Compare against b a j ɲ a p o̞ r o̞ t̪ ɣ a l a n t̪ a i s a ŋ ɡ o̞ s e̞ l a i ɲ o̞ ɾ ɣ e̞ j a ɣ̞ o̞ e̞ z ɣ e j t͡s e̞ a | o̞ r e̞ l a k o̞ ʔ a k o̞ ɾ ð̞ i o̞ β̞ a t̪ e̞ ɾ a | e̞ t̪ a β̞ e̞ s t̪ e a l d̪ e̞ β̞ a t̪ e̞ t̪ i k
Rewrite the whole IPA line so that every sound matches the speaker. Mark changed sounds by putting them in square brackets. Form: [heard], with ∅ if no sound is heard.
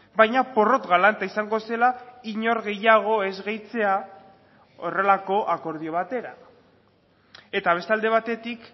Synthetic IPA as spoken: b a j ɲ a p o̞ r o̞ t̪ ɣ a l a n t̪ a i s a ŋ ɡ o̞ s e̞ l a i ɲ o̞ ɾ ɣ e̞ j a ɣ̞ o̞ e̞ z ɣ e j t͡s e̞ a | o̞ r e̞ l a k o̞ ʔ a k o̞ ɾ ð̞ i o̞ β̞ a t̪ e̞ ɾ a | e̞ t̪ a β̞ e̞ s t̪ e a l d̪ e̞ β̞ a t̪ e̞ t̪ i k